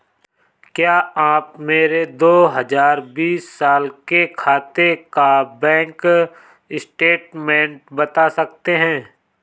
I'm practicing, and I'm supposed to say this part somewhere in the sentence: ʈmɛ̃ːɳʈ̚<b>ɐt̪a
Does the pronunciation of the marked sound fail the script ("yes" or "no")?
no